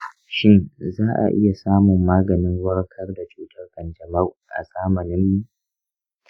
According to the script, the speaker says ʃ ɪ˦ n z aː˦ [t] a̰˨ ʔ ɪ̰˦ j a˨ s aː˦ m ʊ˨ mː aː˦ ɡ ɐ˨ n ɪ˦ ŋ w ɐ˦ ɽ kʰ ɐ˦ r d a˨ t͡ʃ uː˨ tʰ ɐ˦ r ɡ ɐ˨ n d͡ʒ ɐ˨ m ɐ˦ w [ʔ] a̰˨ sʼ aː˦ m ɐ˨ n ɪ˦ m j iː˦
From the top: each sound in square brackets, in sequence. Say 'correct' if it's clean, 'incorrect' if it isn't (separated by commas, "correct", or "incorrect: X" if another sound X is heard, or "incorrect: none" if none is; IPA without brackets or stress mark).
incorrect: ʔ, correct